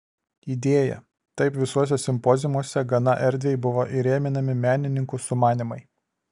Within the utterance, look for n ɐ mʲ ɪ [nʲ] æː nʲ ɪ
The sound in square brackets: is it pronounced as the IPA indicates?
no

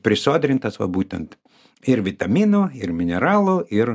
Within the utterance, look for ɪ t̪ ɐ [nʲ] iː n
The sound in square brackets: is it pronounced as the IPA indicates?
no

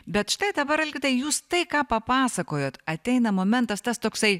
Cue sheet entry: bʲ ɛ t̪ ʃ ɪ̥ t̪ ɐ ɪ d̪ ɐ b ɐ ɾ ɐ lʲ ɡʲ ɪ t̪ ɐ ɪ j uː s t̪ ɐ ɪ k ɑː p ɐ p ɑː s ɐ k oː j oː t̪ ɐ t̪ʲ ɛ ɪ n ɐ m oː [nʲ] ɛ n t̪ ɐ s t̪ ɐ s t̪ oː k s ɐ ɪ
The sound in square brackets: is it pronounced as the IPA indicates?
no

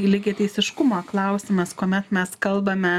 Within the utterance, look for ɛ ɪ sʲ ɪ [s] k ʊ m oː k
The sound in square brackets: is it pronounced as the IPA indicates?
no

